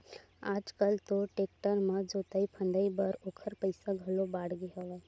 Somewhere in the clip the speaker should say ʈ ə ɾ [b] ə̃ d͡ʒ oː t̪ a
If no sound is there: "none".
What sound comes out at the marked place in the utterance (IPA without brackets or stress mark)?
m